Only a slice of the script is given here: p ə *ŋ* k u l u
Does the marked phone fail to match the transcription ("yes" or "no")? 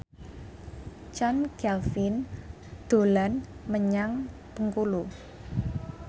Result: no